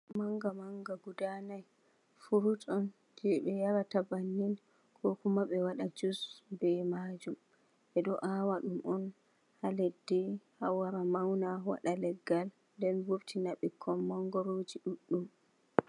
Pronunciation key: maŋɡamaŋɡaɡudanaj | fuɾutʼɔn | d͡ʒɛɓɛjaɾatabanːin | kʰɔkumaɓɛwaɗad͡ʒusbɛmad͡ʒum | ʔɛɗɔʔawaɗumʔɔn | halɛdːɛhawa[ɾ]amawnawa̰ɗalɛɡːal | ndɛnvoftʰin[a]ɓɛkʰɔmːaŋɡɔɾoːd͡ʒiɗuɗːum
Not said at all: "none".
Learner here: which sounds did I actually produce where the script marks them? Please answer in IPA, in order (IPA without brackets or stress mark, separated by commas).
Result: ɾ, a